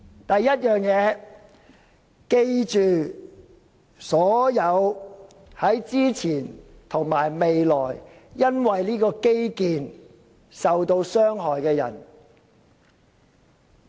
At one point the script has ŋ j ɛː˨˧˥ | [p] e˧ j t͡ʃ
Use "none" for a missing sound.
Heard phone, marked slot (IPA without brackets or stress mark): k